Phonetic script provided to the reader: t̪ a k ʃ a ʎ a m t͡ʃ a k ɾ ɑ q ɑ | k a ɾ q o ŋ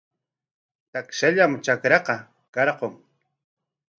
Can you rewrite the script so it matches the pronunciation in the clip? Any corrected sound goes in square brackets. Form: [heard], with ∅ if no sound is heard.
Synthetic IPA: t̪ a k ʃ a ʎ a m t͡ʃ a k ɾ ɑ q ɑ | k [ɑ] ɾ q o ŋ